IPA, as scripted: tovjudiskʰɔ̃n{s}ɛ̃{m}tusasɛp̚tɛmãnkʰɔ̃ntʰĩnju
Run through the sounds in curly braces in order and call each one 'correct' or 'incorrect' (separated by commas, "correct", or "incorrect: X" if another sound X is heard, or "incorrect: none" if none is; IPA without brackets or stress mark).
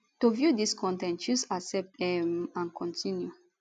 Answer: incorrect: t, incorrect: n